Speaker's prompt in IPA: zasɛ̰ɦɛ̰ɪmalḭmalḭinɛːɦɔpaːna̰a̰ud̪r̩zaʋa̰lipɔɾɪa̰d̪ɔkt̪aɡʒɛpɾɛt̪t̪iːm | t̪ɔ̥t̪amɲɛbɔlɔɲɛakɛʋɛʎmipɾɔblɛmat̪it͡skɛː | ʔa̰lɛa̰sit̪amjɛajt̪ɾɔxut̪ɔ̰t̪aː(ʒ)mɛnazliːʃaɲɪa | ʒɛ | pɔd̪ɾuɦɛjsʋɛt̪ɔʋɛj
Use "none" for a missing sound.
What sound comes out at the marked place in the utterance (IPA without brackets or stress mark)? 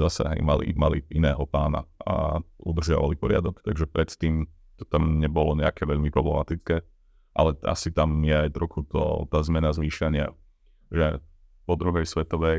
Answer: z